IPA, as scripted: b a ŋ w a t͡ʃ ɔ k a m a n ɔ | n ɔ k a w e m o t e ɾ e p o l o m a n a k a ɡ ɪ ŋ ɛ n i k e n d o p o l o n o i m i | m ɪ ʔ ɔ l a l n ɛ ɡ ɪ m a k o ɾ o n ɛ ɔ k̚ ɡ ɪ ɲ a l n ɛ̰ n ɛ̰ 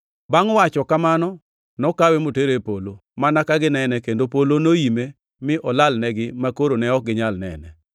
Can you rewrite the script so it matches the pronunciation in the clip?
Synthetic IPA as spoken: b a ŋ w a t͡ʃ ɔ k a m a n ɔ | n ɔ k a w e m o t e ɾ e p o l o m a n a k a ɡ ɪ n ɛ n ɛ k e n d o p o l o n o i m e | m ɪ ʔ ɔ l a l n ɛ ɡ ɪ m a k o ɾ o n ɛ ɔ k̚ ɡ ɪ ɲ a l n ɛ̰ n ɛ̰

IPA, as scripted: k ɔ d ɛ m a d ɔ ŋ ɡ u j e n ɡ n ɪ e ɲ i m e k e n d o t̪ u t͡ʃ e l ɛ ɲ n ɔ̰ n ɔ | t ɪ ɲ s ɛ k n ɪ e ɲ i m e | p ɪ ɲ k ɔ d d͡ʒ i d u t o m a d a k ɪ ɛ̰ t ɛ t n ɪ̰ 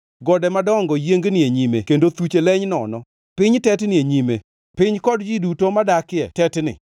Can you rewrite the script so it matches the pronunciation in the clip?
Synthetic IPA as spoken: ɡ ɔ d ɛ m a d ɔ ŋ ɡ ɔ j e ŋ ɡ n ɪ e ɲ i m e k e n d o t̪ u t͡ʃ e l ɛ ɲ n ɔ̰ n ɔ | p ɪ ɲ t ɛ t n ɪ e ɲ i m e | p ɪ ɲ k ɔ d d͡ʒ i d u t o m a d a k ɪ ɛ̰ t ɛ t n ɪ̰

